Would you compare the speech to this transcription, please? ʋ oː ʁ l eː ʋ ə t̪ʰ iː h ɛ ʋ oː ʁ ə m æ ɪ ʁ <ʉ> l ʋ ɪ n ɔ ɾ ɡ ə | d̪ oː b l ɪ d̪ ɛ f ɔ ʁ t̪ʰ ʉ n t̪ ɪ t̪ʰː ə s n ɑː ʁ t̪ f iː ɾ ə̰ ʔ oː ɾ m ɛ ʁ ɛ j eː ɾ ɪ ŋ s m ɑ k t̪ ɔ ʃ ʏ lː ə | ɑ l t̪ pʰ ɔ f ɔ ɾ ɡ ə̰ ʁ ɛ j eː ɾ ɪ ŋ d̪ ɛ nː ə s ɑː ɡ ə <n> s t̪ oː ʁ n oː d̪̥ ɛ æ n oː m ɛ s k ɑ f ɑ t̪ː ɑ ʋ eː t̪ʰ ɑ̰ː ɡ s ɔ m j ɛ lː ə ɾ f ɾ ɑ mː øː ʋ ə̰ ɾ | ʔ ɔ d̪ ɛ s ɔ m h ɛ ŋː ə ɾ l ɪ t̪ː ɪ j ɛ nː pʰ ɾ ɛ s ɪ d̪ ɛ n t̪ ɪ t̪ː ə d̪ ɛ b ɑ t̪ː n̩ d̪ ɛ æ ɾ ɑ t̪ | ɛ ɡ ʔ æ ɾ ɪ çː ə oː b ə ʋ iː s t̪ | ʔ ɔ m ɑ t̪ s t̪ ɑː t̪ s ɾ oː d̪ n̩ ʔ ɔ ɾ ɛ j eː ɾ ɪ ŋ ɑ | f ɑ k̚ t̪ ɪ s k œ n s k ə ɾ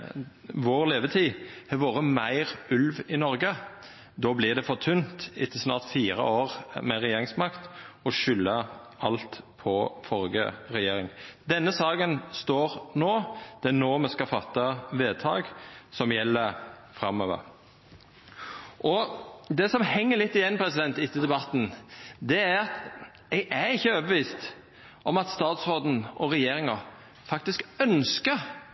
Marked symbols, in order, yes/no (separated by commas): yes, yes